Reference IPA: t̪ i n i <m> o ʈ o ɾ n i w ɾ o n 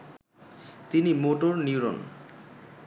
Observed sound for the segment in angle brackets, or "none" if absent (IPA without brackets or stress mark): m